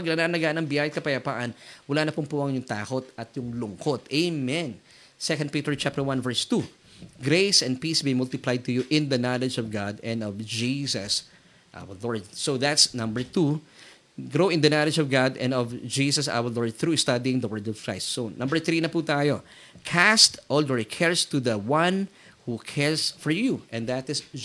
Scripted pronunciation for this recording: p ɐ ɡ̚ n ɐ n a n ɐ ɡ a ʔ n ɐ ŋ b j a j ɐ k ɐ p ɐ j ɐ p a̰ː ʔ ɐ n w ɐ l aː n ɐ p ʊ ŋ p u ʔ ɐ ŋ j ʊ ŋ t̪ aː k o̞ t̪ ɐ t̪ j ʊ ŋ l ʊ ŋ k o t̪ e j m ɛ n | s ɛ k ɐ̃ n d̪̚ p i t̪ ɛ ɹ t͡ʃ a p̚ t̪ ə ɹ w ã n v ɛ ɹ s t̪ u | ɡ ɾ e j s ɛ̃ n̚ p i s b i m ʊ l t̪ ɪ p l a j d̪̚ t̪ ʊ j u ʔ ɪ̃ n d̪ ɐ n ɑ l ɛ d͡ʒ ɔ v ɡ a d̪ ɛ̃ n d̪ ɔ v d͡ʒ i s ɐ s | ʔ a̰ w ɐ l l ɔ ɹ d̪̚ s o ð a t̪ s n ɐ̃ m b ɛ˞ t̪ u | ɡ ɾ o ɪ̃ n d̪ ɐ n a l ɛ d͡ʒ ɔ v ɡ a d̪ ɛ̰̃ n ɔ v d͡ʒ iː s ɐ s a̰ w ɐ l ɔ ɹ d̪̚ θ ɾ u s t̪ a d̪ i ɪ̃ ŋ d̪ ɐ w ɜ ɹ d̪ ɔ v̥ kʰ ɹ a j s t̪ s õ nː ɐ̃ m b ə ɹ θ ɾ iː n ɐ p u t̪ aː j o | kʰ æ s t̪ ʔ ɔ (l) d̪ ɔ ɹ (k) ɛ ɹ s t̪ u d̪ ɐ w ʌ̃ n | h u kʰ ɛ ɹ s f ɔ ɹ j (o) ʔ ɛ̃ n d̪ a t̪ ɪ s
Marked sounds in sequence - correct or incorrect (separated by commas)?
correct, incorrect, incorrect